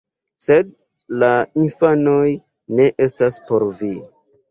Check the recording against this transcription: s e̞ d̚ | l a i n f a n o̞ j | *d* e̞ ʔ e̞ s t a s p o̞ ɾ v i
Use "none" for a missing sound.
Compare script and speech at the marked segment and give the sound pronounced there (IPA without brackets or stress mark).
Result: n